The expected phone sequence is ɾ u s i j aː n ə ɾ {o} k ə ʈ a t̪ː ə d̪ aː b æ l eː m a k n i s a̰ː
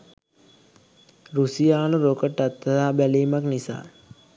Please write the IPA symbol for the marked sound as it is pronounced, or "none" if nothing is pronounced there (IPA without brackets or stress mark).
o